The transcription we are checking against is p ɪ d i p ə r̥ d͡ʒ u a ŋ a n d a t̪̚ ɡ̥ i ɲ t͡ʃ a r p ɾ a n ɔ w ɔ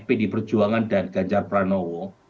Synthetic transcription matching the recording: p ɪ d i p ə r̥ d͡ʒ u a ŋ a n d a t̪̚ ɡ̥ a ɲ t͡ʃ a r p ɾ a n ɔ w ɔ